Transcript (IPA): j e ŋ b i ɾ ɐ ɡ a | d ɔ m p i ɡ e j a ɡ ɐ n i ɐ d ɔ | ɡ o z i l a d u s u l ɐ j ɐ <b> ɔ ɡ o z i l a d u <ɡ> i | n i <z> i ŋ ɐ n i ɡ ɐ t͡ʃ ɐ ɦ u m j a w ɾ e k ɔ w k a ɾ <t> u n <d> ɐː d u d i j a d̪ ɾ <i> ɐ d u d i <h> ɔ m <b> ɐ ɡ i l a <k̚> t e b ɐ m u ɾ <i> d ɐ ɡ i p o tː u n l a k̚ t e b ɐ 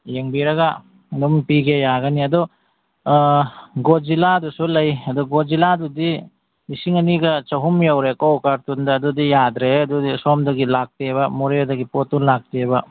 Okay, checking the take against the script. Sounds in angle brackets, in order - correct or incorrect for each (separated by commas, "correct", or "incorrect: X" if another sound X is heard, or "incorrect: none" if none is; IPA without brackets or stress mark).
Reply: incorrect: d, incorrect: d, incorrect: s, correct, correct, incorrect: e, incorrect: s, incorrect: d, correct, incorrect: e